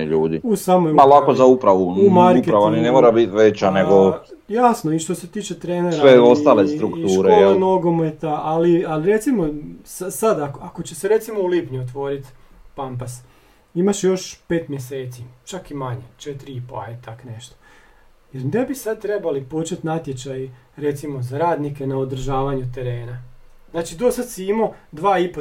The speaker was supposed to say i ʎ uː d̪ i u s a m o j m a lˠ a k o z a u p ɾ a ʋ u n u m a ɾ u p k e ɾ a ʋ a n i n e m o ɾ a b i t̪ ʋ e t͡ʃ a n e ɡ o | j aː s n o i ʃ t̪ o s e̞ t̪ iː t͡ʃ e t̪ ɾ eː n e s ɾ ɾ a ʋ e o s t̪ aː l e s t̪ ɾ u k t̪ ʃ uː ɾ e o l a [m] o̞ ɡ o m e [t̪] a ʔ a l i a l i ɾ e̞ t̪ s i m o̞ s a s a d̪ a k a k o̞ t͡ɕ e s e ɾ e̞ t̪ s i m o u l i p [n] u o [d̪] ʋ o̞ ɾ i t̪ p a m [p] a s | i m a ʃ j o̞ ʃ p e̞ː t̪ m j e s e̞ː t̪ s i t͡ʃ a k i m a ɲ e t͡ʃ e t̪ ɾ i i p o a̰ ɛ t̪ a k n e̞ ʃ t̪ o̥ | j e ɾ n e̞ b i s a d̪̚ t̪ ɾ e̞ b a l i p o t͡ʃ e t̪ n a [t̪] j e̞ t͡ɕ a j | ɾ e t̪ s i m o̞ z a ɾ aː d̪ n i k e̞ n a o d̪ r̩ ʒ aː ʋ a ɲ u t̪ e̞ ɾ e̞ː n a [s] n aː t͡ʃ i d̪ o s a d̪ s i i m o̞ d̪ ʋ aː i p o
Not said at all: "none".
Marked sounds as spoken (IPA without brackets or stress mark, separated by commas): n, t̪, ɲ, t̪, p, t̪, z